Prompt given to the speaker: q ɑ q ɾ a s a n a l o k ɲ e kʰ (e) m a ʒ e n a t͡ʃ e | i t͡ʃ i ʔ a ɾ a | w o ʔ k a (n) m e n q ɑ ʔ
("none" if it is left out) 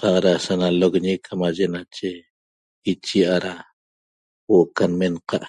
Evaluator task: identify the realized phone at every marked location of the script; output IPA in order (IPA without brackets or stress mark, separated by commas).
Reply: a, n